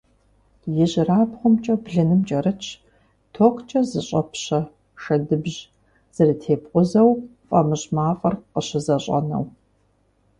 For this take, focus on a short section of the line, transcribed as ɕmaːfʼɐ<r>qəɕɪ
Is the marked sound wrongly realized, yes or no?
no